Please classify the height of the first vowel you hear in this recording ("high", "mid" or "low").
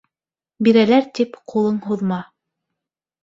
high